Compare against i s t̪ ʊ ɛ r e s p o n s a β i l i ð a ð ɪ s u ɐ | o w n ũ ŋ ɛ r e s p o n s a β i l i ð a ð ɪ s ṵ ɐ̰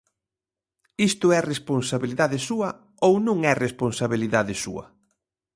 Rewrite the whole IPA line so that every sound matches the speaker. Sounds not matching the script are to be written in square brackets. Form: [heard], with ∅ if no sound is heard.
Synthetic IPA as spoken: i s t̪ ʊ ɛ r e s p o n s a β i l i ð a ð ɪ s u ɐ | o w n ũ ŋ ɛ r e s p o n s a β i l i ð a ð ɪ s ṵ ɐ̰